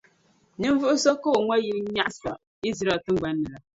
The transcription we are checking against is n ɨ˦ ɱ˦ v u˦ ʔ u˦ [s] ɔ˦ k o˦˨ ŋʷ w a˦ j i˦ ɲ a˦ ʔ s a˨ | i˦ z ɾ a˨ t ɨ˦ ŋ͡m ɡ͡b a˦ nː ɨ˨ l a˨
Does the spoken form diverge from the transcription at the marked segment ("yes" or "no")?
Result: no